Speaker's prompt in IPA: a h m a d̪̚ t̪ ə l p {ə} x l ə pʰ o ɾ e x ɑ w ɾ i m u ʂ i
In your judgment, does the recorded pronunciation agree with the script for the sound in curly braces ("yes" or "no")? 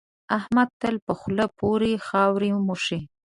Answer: yes